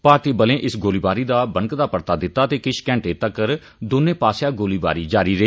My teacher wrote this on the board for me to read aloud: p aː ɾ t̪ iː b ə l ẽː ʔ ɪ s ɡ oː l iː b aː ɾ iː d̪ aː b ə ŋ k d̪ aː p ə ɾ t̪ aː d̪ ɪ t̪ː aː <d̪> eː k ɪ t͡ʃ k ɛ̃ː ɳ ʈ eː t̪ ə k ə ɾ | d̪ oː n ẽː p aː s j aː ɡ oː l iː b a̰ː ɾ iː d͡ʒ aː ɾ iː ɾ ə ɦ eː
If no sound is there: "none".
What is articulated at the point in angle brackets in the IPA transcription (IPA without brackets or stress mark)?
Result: t̪